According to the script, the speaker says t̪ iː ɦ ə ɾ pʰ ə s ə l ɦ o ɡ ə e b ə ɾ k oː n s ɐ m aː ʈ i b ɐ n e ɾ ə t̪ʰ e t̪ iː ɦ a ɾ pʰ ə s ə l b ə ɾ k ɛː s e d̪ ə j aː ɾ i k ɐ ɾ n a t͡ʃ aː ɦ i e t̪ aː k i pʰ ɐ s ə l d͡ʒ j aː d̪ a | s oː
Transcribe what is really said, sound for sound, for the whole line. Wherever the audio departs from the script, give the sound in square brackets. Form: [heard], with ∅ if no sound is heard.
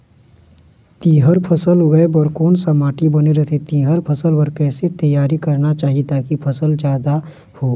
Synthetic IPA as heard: t̪ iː ɦ ə ɾ pʰ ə s ə l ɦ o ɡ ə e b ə ɾ k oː n s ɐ m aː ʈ i b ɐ n e ɾ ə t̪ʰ e t̪ iː ɦ [ə] ɾ pʰ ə s ə l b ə ɾ k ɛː s e [t̪] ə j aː ɾ i k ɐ ɾ n a t͡ʃ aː ɦ i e t̪ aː k i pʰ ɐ s ə l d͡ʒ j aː d̪ a | [h] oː